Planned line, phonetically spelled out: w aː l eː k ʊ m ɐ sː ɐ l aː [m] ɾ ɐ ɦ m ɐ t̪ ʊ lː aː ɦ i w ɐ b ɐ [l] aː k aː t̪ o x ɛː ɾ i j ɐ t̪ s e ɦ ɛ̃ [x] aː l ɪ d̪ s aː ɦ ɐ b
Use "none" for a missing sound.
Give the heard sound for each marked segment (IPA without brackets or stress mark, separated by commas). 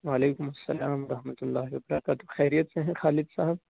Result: m, ɾ, x